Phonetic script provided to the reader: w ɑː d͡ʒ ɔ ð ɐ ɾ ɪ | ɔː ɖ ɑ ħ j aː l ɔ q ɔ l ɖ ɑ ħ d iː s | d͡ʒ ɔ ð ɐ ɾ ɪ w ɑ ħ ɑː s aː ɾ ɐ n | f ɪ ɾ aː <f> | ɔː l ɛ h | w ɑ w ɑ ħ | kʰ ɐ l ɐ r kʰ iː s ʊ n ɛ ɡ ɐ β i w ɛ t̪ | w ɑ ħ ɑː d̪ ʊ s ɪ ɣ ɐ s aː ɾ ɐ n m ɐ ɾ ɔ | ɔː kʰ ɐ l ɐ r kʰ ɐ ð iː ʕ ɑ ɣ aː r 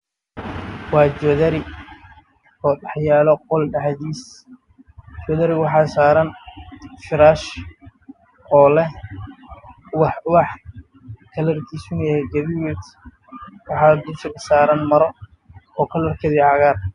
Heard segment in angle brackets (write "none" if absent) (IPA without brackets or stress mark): ʃ